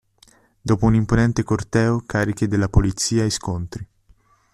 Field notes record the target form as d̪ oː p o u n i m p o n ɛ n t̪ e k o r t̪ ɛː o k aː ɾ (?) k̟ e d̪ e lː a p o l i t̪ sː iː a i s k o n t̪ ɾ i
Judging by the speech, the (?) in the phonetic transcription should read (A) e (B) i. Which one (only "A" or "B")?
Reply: B